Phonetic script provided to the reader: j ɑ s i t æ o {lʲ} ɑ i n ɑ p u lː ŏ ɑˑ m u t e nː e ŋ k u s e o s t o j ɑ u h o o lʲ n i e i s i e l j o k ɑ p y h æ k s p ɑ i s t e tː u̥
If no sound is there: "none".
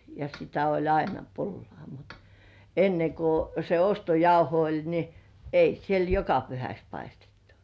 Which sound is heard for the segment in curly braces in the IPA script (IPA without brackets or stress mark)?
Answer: lʲ